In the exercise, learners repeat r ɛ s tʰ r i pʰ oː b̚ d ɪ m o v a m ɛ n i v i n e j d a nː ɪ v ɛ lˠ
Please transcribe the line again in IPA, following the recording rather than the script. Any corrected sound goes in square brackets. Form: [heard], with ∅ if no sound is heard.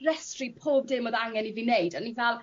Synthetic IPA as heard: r ɛ s [t] r i pʰ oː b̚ d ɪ m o [ð] a [ŋ] ɛ n i v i n e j d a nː [i] v ɛ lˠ